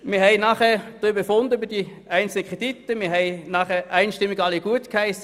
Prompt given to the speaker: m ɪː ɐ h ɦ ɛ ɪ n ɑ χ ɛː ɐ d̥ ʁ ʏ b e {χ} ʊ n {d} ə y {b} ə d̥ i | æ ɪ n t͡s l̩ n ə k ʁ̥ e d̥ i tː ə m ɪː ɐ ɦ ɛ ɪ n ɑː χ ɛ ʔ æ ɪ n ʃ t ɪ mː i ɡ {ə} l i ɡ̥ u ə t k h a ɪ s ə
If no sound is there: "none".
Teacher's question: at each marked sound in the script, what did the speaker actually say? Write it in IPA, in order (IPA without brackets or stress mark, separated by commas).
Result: f, d, b, ɑ